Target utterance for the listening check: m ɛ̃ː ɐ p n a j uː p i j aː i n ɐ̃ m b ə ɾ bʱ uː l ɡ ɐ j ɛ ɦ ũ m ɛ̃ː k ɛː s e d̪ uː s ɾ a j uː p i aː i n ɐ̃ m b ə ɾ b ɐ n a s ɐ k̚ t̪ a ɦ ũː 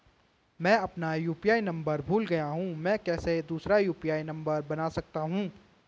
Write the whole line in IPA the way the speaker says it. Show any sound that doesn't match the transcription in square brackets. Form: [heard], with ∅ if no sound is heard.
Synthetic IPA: m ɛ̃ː ɐ p n a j uː p i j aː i n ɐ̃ m b ə ɾ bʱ uː l ɡ ɐ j [a] ɦ ũ m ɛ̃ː k ɛː s e d̪ uː s ɾ a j uː p i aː i n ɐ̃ m b ə ɾ b ɐ n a s ɐ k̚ t̪ a ɦ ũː